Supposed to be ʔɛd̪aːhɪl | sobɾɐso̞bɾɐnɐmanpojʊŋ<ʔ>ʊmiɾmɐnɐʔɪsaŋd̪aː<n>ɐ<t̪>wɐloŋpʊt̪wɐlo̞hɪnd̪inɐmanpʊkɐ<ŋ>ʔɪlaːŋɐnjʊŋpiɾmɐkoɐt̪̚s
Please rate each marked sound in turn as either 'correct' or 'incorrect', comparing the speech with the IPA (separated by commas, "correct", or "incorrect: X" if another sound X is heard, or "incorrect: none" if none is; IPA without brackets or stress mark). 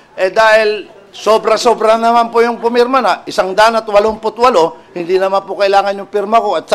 incorrect: p, correct, correct, incorrect: none